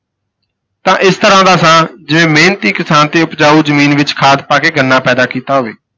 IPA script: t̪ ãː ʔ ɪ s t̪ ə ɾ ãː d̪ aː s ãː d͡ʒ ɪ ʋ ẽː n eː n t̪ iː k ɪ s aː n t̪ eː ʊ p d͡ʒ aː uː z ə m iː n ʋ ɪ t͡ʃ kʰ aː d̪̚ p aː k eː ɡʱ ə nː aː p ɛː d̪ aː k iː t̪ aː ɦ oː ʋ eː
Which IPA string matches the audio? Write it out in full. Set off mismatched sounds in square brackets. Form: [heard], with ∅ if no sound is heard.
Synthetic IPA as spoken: t̪ ãː ʔ ɪ s t̪ ə ɾ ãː d̪ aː s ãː d͡ʒ ɪ ʋ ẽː [m] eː n t̪ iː k ɪ s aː n t̪ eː ʊ p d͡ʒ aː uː z ə m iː n ʋ ɪ t͡ʃ kʰ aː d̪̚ p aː k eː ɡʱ ə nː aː p ɛː d̪ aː k iː t̪ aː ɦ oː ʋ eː